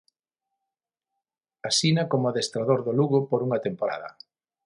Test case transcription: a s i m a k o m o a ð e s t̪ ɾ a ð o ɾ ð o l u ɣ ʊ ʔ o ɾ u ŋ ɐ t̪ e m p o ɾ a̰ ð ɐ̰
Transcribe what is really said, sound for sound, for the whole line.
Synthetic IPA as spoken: a s i n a k o m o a ð e s t̪ ɾ a ð o ɾ ð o l u ɣ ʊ p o ɾ u ŋ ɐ t̪ e m p o ɾ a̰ ð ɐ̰

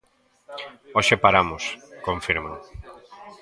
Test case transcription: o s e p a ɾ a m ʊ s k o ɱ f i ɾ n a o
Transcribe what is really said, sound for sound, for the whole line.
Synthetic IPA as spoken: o ʃ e p a ɾ a m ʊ s k o ɱ f i ɾ m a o

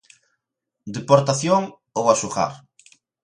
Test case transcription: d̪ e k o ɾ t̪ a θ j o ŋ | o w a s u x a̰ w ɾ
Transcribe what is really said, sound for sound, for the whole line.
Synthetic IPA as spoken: d̪ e p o ɾ t̪ a θ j o ŋ | o w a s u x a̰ ɾ

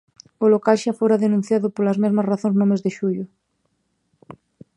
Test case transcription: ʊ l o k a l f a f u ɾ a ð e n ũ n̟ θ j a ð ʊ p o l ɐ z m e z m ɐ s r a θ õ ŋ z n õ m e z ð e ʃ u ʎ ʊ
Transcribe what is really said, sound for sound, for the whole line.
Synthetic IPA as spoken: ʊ l o k a l ʃ a f o ɾ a ð e n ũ n̟ θ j a ð ʊ p o l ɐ z m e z m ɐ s r a θ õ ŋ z n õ m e z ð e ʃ u ʎ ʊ

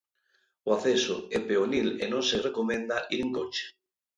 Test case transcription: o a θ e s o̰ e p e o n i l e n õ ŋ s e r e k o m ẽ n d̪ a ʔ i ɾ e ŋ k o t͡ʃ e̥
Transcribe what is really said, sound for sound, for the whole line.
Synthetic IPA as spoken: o a θ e s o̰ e p e o n i l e n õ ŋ s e r e k o m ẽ n d̪ a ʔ i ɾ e ŋ k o t͡ʃ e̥

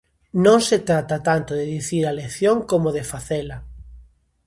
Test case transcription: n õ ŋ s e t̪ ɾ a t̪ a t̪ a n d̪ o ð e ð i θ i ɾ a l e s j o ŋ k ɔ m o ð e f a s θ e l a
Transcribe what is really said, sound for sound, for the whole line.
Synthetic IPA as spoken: n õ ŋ s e t̪ ɾ a t̪ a t̪ a n t̪ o ð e ð i θ i ɾ a l e θ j o ŋ k o m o ð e f a θ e l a

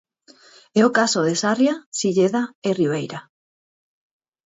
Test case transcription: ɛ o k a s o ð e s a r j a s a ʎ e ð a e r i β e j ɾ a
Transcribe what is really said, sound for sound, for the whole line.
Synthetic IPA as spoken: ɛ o k a s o ð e s a r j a s i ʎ e ð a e r i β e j ɾ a

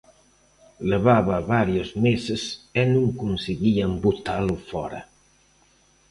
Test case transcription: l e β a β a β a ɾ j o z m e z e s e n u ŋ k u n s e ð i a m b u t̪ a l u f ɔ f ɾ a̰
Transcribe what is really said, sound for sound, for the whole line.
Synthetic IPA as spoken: l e β a β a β a ɾ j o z m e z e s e n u ŋ k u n s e ɣ i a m b u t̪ a l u f ɔ ɾ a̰

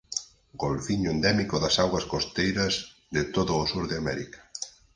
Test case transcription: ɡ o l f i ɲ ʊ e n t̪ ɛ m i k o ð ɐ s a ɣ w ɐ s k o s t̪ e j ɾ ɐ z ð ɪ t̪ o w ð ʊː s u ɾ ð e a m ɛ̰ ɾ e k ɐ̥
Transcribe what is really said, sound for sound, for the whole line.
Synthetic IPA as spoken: ɡ o l f i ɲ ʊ e n d̪ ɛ m i k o ð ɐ s a ɣ w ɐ s k o s t̪ e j ɾ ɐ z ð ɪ t̪ o ð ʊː s u ɾ ð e a m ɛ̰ ɾ i k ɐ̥

